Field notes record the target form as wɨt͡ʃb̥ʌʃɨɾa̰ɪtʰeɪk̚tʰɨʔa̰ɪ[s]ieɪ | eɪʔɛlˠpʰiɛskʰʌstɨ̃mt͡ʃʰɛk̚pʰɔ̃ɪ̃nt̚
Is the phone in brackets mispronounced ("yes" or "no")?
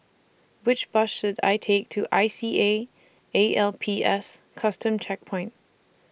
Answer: no